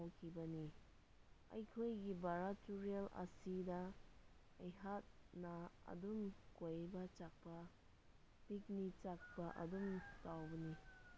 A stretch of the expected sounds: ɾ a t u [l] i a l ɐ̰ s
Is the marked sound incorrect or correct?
incorrect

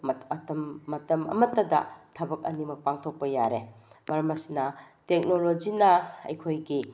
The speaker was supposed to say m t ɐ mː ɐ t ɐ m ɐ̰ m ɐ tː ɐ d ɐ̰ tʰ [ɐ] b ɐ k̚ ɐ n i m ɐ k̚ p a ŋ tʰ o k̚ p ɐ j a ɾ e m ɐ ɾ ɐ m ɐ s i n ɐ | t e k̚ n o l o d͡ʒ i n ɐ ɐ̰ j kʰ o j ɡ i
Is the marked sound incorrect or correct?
correct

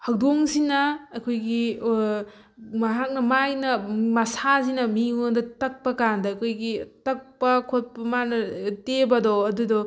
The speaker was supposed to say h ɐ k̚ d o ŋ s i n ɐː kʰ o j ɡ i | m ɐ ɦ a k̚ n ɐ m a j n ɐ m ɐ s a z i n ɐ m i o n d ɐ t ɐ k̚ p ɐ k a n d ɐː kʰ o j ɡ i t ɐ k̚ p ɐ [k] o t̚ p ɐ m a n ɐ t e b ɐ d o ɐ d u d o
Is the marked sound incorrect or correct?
incorrect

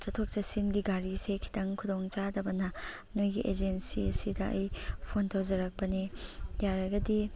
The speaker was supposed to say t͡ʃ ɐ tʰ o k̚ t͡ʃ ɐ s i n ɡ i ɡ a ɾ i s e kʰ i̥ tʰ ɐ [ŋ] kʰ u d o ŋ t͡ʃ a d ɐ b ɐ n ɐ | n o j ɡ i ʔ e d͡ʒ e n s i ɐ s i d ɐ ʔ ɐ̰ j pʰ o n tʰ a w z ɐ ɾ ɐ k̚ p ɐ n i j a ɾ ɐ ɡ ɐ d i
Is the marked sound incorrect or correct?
correct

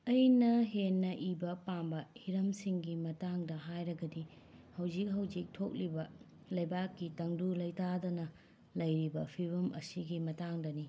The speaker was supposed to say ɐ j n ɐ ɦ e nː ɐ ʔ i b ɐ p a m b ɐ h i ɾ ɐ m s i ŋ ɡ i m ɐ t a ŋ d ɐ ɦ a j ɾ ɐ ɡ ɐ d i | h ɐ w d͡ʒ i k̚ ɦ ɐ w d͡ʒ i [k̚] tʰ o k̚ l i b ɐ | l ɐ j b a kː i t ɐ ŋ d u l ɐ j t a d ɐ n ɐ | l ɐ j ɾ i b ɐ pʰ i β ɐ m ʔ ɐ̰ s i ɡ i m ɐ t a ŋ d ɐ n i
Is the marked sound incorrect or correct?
correct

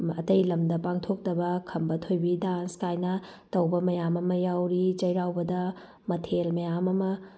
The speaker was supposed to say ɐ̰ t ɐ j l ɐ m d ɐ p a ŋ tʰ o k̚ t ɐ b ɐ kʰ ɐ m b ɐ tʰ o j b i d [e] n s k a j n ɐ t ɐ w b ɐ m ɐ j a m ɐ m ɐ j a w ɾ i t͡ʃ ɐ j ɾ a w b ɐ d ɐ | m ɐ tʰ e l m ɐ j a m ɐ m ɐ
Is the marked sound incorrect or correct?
incorrect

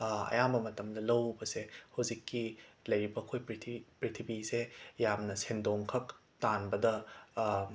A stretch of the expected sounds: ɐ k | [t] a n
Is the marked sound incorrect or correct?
correct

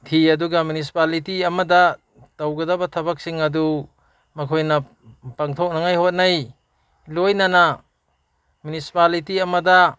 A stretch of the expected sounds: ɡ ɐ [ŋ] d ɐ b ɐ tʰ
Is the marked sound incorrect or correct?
incorrect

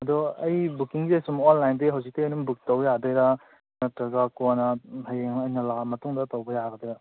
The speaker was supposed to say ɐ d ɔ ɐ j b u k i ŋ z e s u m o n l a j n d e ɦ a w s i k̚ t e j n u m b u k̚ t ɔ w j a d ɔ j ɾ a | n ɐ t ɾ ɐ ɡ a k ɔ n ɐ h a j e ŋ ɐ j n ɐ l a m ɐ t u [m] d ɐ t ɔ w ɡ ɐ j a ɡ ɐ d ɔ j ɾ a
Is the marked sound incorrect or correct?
incorrect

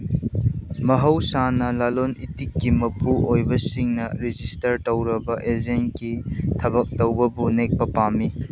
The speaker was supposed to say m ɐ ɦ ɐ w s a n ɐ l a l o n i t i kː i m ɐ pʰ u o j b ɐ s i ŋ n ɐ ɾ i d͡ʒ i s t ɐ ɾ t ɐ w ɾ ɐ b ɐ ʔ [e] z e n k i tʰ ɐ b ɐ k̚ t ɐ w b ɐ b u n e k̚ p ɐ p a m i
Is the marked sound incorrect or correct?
correct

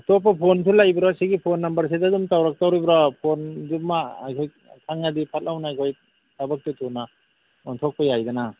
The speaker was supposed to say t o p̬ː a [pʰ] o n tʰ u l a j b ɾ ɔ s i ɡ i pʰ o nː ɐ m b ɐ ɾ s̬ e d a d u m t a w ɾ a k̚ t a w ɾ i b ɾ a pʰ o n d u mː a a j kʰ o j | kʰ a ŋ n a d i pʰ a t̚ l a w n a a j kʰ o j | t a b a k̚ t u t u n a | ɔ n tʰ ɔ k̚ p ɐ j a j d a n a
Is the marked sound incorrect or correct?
correct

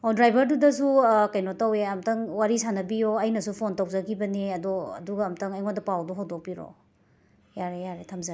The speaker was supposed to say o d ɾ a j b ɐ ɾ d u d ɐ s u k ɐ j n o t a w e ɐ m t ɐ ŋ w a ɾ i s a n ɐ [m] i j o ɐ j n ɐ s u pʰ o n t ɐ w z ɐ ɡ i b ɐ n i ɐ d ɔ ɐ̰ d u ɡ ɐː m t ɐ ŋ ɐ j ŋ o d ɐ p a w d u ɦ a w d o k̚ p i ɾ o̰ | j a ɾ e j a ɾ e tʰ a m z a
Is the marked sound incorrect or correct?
incorrect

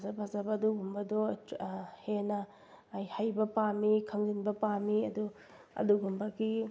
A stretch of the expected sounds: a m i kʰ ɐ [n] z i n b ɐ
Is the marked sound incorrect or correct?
incorrect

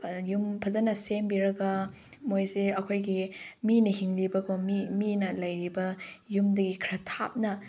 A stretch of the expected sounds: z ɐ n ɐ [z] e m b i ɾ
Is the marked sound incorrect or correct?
incorrect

